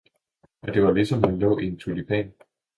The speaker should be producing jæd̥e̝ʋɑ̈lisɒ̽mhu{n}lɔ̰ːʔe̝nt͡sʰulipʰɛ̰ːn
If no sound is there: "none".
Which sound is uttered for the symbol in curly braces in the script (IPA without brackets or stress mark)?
n